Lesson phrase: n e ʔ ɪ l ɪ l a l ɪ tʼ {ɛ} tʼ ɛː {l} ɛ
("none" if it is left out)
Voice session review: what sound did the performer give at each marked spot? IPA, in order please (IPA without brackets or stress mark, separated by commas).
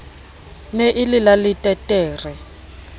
ɛ, r